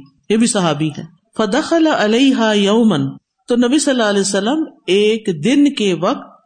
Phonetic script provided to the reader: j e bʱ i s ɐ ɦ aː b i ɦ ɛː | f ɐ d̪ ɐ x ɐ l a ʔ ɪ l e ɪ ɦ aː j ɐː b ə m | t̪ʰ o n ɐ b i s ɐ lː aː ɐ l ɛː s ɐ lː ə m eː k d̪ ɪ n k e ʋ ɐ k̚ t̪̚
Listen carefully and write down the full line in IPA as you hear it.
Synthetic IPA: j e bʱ i s ɐ ɦ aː b i ɦ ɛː | f ɐ d̪ ɐ x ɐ l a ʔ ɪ l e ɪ ɦ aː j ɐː m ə n | t̪ o n ɐ b i s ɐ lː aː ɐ l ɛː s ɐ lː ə m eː k d̪ ɪ n k e ʋ ɐ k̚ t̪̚